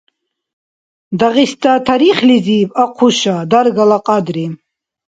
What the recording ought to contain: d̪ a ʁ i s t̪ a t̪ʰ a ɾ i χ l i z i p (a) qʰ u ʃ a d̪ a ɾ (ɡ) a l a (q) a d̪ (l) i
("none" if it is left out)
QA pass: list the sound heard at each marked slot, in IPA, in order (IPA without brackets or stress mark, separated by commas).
a, ɡ, qʼ, ɾ